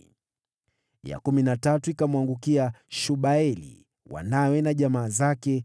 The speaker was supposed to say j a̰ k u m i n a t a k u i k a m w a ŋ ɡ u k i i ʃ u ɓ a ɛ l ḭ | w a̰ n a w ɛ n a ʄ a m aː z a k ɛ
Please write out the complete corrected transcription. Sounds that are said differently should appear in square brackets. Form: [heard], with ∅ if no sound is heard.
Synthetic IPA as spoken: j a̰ k u m i n a t a [t] u i k a m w a ŋ ɡ u k i [a] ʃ u ɓ a ɛ l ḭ | w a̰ n a w ɛ n a ʄ a m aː z a k ɛ